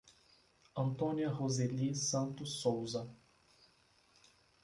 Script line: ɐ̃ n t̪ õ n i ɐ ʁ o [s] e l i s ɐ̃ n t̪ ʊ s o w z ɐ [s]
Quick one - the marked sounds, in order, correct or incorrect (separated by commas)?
incorrect, incorrect